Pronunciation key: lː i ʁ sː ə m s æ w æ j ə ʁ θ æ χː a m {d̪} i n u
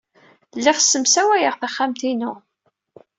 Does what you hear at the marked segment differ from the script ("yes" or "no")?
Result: yes